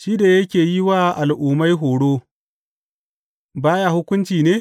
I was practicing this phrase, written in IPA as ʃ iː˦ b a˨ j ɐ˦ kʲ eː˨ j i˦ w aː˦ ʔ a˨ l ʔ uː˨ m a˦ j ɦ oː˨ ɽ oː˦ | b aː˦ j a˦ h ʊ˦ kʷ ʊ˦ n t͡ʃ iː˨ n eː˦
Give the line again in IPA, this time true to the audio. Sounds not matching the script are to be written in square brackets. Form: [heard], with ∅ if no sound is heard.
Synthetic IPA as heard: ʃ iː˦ [d] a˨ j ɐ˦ kʲ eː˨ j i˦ w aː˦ ʔ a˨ l ʔ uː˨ m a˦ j ɦ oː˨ ɽ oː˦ | b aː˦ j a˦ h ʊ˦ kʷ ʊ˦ n t͡ʃ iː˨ n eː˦